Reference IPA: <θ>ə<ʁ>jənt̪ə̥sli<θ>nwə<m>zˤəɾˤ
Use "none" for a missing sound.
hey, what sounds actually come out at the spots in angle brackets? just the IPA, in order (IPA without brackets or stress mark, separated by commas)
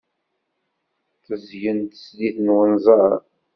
θ, z, θ, n